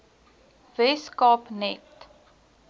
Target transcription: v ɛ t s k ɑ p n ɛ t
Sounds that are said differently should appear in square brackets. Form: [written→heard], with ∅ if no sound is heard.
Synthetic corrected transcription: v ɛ [t→∅] s k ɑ p n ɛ t

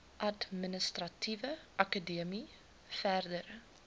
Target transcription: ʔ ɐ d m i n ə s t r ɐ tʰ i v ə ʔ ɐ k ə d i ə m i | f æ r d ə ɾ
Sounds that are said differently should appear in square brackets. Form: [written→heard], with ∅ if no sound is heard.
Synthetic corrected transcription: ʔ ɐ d m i n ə s t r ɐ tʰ i v ə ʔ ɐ k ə d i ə m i | f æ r d ə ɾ

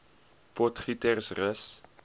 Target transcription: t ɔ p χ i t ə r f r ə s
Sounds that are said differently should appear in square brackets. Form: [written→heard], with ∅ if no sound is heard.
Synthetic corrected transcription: [t→p] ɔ [p→t] χ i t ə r [f→s] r ə s

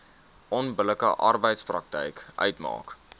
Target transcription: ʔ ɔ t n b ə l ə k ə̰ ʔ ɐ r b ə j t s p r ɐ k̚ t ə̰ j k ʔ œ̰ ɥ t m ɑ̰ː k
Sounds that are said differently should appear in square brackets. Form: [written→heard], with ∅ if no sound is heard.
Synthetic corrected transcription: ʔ ɔ [t→∅] n b ə l ə k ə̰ ʔ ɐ r b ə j t s p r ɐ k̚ t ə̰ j k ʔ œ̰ ɥ t m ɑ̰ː k

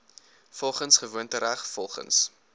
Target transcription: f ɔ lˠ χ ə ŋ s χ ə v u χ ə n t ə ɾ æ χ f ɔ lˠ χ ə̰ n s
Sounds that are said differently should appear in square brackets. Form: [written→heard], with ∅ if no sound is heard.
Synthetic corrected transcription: f ɔ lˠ χ ə [ŋ→n] s χ ə v u [χ→∅] ə n t ə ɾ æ χ f ɔ lˠ χ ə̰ n s

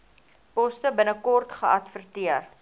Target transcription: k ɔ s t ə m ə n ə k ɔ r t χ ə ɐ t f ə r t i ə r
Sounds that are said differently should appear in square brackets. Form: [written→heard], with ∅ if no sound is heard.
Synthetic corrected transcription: [k→p] ɔ s t ə [m→b] ə n ə k ɔ r t χ ə ɐ t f ə r t i ə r

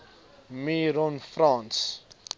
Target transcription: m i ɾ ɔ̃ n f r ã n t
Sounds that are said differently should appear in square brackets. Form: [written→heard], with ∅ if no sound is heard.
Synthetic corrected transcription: m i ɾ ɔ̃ n f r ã n [t→s]

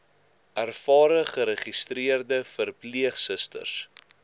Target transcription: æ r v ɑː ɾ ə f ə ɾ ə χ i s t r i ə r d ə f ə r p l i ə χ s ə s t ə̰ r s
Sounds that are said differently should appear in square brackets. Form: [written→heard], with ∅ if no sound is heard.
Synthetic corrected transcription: æ r [v→f] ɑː ɾ ə [f→χ] ə ɾ ə χ i s t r i ə r d ə f ə r p l i ə χ s ə s t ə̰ r s

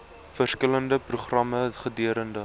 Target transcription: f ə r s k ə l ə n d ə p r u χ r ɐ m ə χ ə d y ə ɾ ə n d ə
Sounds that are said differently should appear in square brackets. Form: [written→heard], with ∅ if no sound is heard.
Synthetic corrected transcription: f ə r s k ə l ə n d ə p r u χ r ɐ m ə χ ə d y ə ɾ ə n d ə

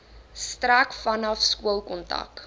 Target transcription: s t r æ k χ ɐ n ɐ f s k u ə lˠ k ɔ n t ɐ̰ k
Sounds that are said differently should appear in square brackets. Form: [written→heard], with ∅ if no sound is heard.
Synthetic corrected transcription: s t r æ k [χ→f] ɐ n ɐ f s k u ə lˠ k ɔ n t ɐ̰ k

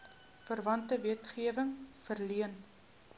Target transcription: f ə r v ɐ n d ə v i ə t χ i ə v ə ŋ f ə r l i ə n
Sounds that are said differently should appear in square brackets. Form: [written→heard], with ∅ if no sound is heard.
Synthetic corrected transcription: f ə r v ɐ n [d→t] ə v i ə t χ i ə v ə ŋ f ə r l i ə n

